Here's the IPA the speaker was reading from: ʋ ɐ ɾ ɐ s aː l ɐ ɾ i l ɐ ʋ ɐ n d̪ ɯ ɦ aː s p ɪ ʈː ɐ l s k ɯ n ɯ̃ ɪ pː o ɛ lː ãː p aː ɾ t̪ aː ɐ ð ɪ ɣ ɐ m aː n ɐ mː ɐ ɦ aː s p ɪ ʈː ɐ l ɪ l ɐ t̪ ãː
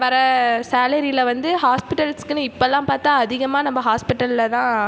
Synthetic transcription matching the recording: ʋ ɐ ɾ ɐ s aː l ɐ ɾ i l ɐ ʋ ɐ n d̪ ɯ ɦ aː s p ɪ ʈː ɐ l s k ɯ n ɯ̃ ɪ pː o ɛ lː ãː p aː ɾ t̪ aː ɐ ð ɪ ɣ ɐ m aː n ɐ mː ɐ ɦ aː s p ɪ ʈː ɐ l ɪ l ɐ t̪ ãː